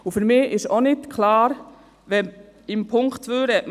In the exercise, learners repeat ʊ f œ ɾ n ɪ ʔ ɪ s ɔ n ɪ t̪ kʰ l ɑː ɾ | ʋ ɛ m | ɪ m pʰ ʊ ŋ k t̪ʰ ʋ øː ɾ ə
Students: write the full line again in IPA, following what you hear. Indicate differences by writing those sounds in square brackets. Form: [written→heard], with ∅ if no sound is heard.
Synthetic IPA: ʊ f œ ɾ [n→m] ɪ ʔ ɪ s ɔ n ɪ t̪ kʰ l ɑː ɾ | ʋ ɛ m | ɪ m pʰ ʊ ŋ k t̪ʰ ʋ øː ɾ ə

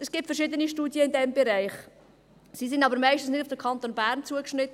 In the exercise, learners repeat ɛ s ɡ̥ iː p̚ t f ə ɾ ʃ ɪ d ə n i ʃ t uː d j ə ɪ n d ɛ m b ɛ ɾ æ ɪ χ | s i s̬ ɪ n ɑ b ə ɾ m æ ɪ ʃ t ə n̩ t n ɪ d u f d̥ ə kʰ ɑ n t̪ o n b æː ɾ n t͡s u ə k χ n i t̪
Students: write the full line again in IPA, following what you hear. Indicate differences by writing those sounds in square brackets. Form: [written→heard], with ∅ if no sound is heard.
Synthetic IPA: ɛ s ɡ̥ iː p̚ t f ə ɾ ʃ ɪ d ə n i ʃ t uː d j ə ɪ n d ɛ m b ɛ ɾ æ ɪ χ | s i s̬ ɪ n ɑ b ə ɾ m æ ɪ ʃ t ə n̩ [t→s] n ɪ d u f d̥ ə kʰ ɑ n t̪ o n b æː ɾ n t͡s u ə k [χ→ʃ] n [i→ɪ] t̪

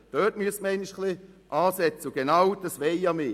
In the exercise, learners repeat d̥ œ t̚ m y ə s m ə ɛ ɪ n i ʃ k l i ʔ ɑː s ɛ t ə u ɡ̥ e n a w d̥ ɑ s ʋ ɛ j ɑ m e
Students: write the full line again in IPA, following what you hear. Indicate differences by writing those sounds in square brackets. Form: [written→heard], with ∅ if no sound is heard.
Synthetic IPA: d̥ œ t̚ m y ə s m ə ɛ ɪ n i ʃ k l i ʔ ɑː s ɛ [t→t͡s] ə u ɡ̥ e n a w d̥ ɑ s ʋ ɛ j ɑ m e

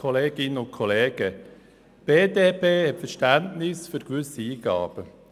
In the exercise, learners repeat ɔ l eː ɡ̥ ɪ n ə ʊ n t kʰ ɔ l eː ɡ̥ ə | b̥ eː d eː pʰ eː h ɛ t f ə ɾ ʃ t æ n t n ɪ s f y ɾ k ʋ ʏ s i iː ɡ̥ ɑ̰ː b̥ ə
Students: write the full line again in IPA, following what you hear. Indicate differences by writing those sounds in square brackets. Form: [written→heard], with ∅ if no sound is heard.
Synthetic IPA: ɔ l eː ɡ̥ ɪ n ə ʊ n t kʰ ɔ l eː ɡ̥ ə | b̥ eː d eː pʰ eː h ɛ t f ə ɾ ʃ t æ n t n ɪ s f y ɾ k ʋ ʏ s i iː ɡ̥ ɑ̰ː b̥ ə

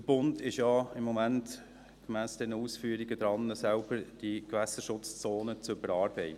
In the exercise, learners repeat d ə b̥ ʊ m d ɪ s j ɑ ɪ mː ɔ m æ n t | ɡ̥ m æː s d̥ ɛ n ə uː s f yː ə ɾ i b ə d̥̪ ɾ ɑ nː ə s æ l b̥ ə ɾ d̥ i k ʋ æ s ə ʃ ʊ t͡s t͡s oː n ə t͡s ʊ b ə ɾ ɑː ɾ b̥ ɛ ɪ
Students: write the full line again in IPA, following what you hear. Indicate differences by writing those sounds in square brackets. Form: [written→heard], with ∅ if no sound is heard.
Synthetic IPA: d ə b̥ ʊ [m→n] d ɪ [s→ʃ] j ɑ ɪ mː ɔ m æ n t | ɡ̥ m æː s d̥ ɛ n ə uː s f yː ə ɾ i [b→ɡ] ə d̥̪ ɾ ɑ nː ə s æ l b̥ ə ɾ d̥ i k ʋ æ s ə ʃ ʊ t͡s t͡s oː n ə t͡s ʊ b ə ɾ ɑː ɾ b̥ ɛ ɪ

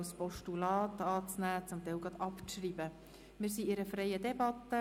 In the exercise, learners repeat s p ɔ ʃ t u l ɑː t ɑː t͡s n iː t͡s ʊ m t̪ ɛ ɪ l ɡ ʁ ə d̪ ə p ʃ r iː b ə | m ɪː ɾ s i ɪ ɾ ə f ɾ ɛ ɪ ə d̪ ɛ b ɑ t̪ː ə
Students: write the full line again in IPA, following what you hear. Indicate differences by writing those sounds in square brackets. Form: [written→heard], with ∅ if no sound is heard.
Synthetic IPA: s p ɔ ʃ t u l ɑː t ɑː t͡s n [iː→æː] t͡s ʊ m t̪ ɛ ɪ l ɡ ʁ [ə→ɑ] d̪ [ə→ɑ] p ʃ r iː b ə | m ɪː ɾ s i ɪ ɾ ə f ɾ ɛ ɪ ə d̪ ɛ b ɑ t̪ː ə

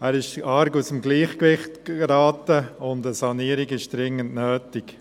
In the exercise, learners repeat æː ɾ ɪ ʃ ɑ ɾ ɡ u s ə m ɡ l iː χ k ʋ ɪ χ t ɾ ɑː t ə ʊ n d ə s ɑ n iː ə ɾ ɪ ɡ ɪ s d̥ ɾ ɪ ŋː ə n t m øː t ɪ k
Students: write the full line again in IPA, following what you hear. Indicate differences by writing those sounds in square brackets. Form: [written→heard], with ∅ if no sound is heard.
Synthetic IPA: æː ɾ ɪ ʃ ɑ ɾ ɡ u s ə m ɡ l iː χ k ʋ ɪ χ t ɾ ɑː t ə ʊ n d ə s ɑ n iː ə ɾ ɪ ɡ ɪ [s→ʃ] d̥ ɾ ɪ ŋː ə n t [m→n] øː t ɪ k

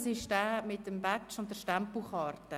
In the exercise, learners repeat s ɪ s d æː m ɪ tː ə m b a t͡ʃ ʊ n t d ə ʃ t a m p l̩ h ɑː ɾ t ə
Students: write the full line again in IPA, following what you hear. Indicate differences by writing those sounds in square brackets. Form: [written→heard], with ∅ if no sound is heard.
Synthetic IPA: s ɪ [s→ʃ] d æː m ɪ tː ə m b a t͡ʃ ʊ n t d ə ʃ t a m p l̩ [h→χ] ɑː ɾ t ə

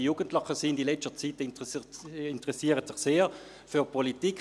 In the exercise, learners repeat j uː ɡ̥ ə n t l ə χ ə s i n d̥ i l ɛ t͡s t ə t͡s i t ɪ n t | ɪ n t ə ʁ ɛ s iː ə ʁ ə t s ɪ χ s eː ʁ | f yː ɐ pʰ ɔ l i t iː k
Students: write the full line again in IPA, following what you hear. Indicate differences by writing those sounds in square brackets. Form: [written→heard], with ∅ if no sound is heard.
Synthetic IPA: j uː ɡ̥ ə n t l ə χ ə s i n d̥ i l ɛ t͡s t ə t͡s i t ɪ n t | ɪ n t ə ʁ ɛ s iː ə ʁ ə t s ɪ χ s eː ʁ | f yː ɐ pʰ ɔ l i t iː k

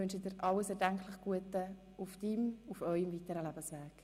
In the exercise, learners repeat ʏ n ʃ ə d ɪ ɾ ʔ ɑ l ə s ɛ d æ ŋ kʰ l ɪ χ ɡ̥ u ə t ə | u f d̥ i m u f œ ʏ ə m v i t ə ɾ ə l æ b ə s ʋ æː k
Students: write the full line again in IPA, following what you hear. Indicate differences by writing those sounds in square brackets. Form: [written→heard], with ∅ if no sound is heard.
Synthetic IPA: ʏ n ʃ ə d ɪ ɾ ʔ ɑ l ə s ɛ d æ ŋ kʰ l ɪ χ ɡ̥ u ə t ə | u f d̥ i m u f œ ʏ ə m v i t ə ɾ ə l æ b ə s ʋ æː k

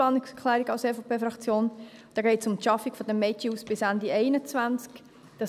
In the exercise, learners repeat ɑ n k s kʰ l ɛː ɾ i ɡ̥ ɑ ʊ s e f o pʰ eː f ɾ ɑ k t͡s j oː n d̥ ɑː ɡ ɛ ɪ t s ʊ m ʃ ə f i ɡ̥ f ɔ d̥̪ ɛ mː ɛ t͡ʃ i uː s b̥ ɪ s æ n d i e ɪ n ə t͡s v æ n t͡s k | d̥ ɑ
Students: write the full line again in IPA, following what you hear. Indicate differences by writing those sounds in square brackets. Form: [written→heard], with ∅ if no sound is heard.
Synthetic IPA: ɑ n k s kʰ l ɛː ɾ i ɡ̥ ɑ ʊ s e f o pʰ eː f ɾ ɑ k t͡s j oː n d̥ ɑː ɡ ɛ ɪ t s ʊ m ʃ [ə→ɑ] f i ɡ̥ f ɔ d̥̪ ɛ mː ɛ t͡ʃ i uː s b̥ ɪ s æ n d i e ɪ n ə t͡s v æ n t͡s k | d̥ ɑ

